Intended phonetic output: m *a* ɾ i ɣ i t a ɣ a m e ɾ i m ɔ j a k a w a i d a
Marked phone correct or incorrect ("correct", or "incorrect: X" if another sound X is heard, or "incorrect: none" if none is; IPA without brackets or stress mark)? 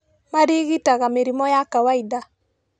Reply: correct